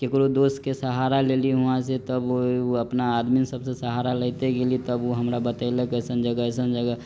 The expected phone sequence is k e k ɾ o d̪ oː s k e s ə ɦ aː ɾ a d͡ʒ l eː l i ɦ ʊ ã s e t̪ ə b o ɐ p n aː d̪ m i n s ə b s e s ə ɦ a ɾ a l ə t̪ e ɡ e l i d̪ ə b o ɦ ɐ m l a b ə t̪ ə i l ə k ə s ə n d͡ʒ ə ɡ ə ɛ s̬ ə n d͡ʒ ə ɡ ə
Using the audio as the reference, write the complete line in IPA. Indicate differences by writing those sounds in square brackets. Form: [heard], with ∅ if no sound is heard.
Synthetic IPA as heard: k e k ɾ o d̪ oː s k e s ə ɦ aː ɾ a [∅] l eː l i ɦ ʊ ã s e t̪ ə b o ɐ p n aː d̪ m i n s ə b s e s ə ɦ a ɾ a l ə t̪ e ɡ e l i [t̪] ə b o ɦ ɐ m [ɾ] a b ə t̪ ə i l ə k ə s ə n d͡ʒ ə ɡ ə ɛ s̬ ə n d͡ʒ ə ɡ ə